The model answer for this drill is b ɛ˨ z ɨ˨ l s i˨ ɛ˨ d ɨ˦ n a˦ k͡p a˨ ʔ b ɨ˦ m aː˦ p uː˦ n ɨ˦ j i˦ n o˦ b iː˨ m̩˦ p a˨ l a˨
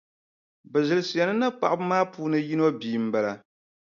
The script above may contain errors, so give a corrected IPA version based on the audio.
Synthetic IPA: b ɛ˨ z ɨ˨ l s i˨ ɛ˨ n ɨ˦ n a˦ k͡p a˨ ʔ b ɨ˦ m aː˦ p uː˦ n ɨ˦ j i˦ n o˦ b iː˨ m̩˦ b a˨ l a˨